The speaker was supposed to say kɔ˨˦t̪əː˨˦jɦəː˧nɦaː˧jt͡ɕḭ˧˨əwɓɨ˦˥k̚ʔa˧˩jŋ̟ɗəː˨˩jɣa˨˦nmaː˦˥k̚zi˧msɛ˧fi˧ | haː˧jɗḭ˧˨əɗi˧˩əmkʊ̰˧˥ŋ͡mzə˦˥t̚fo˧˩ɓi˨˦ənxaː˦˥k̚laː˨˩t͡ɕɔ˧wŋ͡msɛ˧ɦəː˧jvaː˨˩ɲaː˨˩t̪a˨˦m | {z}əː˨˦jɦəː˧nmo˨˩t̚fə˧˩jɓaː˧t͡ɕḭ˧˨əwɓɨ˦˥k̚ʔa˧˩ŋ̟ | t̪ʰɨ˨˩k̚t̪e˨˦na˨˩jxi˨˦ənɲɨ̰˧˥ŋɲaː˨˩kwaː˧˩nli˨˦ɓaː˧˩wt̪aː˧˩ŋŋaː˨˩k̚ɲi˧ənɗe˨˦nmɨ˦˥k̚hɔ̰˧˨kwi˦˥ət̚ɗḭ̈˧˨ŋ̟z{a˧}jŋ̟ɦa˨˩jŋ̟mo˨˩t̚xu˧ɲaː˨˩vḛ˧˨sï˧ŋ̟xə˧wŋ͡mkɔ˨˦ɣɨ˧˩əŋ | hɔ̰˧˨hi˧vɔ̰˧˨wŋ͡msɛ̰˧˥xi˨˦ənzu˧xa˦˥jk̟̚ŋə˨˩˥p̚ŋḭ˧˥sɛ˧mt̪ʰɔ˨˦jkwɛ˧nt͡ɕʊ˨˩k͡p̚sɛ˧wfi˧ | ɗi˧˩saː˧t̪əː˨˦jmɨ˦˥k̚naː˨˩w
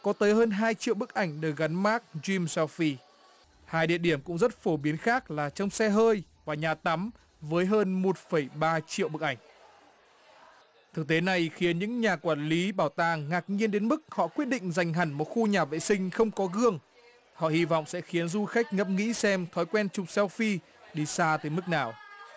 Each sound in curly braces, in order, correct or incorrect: incorrect: v, incorrect: a˨˩

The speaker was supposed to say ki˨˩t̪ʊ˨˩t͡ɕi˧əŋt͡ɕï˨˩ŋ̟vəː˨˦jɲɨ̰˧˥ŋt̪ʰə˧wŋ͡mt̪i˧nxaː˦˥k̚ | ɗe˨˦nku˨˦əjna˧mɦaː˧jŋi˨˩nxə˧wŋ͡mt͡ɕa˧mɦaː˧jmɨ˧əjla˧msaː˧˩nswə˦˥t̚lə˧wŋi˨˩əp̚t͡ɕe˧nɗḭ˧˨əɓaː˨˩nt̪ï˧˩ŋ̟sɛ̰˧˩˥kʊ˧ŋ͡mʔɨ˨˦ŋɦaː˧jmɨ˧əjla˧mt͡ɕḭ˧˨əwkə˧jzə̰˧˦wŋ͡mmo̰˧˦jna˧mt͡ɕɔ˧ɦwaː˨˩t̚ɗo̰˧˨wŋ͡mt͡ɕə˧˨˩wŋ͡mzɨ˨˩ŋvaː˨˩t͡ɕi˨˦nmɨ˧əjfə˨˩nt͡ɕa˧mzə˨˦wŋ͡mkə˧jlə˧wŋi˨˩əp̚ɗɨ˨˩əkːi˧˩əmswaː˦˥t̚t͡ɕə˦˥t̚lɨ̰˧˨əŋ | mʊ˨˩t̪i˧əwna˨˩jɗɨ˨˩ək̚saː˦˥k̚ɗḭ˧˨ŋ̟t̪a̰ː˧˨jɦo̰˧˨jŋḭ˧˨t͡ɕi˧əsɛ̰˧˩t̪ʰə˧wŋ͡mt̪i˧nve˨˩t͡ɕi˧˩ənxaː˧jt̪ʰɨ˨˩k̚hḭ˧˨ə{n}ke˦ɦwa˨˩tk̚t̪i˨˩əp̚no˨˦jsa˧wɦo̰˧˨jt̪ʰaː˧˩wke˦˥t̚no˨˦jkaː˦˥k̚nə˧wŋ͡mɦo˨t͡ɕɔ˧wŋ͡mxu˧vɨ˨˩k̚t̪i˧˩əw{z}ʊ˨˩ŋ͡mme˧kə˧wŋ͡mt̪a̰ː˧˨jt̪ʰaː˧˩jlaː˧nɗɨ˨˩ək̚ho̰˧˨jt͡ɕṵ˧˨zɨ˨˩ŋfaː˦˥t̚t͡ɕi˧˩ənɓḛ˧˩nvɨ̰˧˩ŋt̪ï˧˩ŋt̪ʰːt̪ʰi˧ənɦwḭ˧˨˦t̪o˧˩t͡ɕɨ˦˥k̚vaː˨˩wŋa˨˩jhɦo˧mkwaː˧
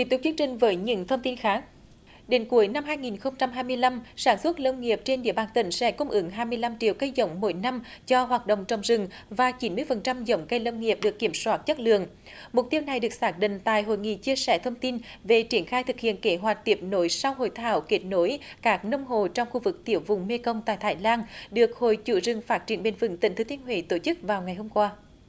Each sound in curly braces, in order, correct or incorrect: correct, incorrect: v

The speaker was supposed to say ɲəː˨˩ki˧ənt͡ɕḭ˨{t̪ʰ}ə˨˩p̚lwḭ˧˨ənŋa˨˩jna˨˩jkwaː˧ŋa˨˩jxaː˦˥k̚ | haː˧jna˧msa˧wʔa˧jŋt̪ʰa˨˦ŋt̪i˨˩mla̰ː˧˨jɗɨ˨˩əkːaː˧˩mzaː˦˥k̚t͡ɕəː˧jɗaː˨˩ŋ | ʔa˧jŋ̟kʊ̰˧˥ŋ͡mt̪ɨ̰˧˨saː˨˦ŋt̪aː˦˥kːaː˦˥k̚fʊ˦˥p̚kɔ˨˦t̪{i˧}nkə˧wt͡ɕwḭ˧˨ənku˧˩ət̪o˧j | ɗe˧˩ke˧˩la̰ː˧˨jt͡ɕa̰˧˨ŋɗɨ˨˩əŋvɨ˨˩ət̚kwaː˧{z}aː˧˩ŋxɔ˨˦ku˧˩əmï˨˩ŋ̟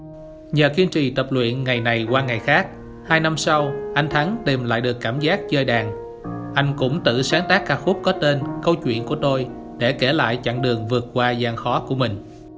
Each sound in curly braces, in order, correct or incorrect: incorrect: t̪, incorrect: e˧, correct

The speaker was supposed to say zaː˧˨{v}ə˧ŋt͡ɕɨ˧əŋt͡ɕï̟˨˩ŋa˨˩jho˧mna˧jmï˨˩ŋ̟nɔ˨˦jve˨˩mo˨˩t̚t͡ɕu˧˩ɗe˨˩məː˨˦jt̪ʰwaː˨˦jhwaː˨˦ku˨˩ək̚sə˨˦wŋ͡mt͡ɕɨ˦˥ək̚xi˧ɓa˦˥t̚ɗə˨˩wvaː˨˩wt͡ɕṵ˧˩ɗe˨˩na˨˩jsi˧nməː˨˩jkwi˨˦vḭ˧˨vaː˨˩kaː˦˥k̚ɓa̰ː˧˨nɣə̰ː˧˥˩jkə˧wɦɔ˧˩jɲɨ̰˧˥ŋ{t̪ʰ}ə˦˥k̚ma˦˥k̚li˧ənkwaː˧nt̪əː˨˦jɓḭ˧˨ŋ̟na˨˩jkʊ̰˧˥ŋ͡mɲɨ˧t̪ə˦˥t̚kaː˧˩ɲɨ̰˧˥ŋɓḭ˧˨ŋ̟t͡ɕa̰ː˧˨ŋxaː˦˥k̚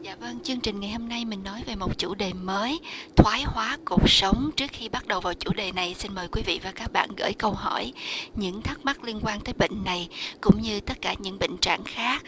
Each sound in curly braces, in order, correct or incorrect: correct, correct

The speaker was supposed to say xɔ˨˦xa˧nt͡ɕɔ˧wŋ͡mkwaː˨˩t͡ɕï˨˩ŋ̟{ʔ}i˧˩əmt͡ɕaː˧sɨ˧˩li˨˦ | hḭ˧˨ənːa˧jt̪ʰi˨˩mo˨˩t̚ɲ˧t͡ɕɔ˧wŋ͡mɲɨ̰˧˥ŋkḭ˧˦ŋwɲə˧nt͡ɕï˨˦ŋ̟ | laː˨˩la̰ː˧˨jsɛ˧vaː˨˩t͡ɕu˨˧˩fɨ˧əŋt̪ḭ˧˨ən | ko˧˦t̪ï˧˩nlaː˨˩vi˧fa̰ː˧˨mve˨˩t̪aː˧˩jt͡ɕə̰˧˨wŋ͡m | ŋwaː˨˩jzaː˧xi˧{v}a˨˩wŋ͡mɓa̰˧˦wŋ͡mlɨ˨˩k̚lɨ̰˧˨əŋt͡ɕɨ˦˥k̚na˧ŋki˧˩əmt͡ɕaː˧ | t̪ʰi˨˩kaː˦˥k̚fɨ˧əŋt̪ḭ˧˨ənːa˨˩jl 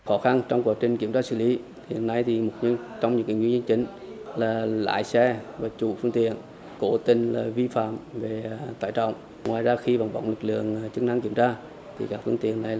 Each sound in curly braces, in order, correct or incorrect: incorrect: k, correct

